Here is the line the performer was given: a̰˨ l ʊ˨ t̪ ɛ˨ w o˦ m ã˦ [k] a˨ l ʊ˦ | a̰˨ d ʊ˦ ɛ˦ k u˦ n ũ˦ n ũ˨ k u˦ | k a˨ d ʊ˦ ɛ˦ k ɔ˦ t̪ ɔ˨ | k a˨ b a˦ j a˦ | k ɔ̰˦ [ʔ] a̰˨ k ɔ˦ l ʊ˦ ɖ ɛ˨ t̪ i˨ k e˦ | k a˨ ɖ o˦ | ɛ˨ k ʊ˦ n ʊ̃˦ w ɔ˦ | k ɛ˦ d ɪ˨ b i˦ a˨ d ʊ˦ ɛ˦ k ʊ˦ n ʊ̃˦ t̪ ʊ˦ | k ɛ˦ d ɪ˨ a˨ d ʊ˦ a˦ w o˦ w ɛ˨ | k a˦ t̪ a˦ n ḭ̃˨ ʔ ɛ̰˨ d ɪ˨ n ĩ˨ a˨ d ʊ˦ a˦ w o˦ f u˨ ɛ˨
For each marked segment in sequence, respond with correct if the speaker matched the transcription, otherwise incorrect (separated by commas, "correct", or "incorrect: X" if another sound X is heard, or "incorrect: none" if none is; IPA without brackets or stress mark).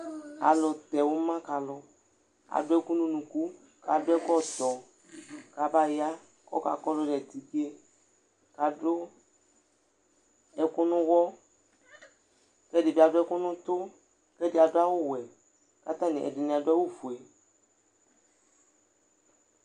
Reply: correct, incorrect: k